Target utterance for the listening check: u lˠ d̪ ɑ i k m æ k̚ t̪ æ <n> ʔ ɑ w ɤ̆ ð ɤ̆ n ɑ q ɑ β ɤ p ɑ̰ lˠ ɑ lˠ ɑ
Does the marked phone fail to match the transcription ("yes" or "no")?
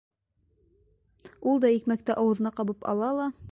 yes